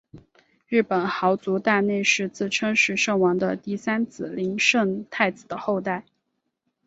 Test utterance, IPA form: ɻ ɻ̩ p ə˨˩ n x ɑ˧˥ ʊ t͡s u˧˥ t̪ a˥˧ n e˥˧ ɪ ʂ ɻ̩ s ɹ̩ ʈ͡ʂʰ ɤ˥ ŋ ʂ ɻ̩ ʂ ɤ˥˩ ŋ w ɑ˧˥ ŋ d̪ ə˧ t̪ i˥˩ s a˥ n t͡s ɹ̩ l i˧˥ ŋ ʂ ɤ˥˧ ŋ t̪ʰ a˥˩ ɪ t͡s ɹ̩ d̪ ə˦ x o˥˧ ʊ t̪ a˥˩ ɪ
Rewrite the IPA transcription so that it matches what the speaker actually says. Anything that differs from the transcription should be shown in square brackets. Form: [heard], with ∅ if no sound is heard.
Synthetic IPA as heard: ɻ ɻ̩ p ə˨˩ n x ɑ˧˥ ʊ t͡s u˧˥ t̪ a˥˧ n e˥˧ ɪ ʂ ɻ̩ [t͡s] ɹ̩ ʈ͡ʂʰ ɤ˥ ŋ ʂ ɻ̩ ʂ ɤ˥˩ ŋ w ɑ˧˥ ŋ d̪ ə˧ t̪ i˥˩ s a˥ n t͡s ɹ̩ l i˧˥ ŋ ʂ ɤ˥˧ ŋ t̪ʰ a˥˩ ɪ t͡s ɹ̩ d̪ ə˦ x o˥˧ ʊ t̪ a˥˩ ɪ

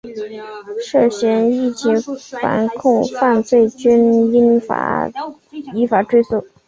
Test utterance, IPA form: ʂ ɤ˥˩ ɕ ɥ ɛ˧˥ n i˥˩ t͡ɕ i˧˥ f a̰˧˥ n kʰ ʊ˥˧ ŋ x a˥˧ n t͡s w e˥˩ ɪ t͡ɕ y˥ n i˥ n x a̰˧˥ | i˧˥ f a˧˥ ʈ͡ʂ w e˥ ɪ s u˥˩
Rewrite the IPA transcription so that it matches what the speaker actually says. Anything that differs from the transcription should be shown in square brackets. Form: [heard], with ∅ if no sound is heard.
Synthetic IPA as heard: ʂ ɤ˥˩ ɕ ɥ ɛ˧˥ n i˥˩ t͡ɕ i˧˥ f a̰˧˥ n kʰ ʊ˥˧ ŋ [f] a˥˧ n t͡s w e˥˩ ɪ t͡ɕ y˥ n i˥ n [f] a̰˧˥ | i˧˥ f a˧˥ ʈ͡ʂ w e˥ ɪ s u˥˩

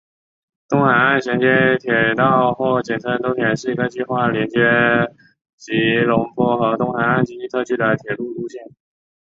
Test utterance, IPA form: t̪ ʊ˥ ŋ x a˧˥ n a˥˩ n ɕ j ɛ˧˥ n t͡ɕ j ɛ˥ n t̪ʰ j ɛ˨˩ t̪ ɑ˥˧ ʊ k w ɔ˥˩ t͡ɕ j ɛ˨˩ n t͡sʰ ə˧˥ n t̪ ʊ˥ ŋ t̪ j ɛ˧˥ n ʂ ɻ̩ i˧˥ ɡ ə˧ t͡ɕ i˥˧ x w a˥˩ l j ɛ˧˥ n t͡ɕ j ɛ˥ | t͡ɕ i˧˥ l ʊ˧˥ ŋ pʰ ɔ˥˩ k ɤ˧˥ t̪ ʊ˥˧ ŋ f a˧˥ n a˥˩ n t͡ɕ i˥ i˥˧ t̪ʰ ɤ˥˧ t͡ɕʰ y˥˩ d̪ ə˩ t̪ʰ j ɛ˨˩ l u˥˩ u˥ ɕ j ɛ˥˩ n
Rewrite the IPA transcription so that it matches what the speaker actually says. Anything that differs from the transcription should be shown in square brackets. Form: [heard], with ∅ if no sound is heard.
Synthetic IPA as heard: t̪ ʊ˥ ŋ x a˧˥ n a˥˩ n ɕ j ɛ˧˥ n t͡ɕ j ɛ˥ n t̪ʰ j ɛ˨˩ t̪ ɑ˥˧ ʊ [x] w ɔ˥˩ t͡ɕ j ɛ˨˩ n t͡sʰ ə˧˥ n t̪ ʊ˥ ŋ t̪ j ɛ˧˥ n ʂ ɻ̩ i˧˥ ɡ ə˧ t͡ɕ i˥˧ x w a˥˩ l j ɛ˧˥ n t͡ɕ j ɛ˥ | t͡ɕ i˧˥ l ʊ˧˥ ŋ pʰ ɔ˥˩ [x] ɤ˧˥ t̪ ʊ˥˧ ŋ [x] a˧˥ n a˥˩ n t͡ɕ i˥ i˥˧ t̪ʰ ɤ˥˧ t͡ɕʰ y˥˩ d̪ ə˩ t̪ʰ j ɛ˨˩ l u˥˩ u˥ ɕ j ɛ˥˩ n

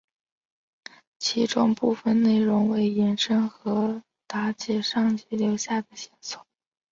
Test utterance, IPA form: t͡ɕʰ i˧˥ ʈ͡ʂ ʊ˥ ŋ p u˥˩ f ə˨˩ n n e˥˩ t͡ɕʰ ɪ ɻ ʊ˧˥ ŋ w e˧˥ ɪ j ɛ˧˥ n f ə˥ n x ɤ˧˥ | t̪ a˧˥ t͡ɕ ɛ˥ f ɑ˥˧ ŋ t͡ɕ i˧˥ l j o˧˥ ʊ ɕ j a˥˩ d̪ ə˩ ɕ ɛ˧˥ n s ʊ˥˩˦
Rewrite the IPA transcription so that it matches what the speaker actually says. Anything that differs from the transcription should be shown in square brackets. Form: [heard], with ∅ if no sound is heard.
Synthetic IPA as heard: t͡ɕʰ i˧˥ ʈ͡ʂ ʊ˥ ŋ p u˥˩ f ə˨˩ n n e˥˩ [∅] ɪ ɻ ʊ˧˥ ŋ w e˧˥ ɪ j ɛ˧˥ n [ʂ] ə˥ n x ɤ˧˥ | t̪ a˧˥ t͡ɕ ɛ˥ [ʂ] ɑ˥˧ ŋ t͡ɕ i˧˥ l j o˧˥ ʊ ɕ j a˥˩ d̪ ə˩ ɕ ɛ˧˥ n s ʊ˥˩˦

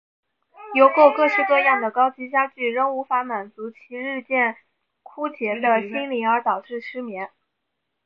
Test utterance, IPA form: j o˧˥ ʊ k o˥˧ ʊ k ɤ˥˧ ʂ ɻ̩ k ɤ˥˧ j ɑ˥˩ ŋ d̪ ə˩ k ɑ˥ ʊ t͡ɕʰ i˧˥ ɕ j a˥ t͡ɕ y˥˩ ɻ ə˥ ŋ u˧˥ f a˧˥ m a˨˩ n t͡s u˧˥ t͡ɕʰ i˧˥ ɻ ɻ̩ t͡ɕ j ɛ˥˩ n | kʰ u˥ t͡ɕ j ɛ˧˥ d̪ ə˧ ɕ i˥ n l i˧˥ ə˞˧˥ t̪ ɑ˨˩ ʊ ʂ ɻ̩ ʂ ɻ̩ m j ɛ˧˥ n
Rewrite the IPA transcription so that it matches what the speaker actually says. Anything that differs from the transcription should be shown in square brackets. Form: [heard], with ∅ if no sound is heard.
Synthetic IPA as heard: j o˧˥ ʊ k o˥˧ ʊ k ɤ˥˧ ʂ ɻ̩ k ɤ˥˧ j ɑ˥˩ ŋ d̪ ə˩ k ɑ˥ ʊ [t͡ɕ] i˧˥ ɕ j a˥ t͡ɕ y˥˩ ɻ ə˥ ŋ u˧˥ f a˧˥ m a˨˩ n t͡s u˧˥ t͡ɕʰ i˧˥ ɻ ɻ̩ t͡ɕ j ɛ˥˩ n | kʰ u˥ t͡ɕ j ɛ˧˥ d̪ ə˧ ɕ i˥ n l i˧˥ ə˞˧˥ t̪ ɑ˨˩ ʊ [ʈ͡ʂ] ɻ̩ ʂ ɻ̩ m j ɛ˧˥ n

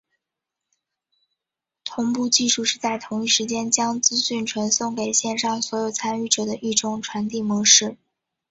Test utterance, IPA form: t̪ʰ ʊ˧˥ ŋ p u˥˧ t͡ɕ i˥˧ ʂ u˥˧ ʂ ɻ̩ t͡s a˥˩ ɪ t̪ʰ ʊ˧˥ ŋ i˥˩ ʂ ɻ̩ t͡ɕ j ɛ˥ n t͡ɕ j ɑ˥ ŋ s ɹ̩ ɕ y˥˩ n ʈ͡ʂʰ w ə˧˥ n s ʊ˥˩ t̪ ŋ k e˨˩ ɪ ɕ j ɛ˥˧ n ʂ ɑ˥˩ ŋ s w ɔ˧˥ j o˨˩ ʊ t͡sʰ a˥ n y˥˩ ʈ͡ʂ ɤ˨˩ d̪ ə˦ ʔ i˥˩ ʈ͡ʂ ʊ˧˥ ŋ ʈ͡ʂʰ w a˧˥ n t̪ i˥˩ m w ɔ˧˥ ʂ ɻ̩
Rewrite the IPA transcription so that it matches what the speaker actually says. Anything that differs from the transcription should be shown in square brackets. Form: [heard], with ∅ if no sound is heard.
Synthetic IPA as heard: t̪ʰ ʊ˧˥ ŋ p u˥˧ t͡ɕ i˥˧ ʂ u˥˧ ʂ ɻ̩ t͡s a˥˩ ɪ t̪ʰ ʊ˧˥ ŋ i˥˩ ʂ ɻ̩ t͡ɕ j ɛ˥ n t͡ɕ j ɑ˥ ŋ [t͡s] ɹ̩ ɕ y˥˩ n ʈ͡ʂʰ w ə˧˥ n s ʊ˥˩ [∅] ŋ k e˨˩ ɪ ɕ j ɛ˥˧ n ʂ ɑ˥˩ ŋ s w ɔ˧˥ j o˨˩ ʊ t͡sʰ a˥ n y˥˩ ʈ͡ʂ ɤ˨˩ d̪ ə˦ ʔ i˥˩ ʈ͡ʂ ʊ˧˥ ŋ ʈ͡ʂʰ w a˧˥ n t̪ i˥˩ m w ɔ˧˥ ʂ ɻ̩

